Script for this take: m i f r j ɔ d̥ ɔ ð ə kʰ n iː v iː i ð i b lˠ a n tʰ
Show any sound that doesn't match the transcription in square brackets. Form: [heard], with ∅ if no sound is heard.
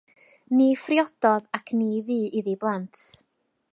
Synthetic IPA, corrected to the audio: [n] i f r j ɔ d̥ ɔ ð [a] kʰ n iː v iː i ð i b lˠ a n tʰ